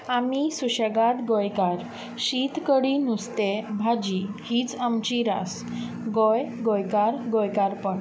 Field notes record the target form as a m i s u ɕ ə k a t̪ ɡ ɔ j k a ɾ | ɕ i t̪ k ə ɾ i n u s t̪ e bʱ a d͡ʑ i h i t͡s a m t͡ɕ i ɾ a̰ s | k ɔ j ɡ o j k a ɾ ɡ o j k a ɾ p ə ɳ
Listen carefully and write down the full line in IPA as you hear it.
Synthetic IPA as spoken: a m i s u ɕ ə ɡ a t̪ ɡ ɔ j k a ɾ | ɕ i t̪ k ə ɽ i n u s t̪ e bʱ a d͡ʑ i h i t͡s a m t͡ɕ i ɾ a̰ s | ɡ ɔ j ɡ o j k a ɾ ɡ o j k a ɾ p ə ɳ